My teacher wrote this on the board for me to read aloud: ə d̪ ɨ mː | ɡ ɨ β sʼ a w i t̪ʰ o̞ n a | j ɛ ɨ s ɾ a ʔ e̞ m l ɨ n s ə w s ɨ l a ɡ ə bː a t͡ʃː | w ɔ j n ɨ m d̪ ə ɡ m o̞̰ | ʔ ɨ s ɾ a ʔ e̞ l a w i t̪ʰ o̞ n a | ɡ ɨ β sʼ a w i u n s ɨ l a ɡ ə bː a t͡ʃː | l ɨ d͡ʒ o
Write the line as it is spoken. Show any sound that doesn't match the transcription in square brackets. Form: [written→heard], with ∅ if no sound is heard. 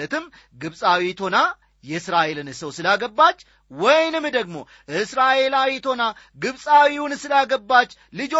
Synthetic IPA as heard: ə [d̪→t̪] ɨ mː | ɡ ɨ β sʼ a w i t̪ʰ o̞ n a | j ɛ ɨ s ɾ a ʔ e̞ [m→∅] l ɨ n s ə w s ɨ l a ɡ ə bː a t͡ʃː | w ɔ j n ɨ m d̪ ə ɡ m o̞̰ | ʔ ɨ s ɾ a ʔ e̞ l a w i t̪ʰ o̞ n a | ɡ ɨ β sʼ a w i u n s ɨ l a ɡ ə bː a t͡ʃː | l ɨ d͡ʒ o